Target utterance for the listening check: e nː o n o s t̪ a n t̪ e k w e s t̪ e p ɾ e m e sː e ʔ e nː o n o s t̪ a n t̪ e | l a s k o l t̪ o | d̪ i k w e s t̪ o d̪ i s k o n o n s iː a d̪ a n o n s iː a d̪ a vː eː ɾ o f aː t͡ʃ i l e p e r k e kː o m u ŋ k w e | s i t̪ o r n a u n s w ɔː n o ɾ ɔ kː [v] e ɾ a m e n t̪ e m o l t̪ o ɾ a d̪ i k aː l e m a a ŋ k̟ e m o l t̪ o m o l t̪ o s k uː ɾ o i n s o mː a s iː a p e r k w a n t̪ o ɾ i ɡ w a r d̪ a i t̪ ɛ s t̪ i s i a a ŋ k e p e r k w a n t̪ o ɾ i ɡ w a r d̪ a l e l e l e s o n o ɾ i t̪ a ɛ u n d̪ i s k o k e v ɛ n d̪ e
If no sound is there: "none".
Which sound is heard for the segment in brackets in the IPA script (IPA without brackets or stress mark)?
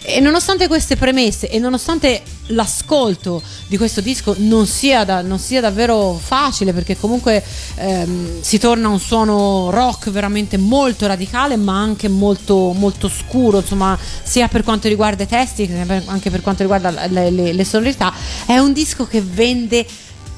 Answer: v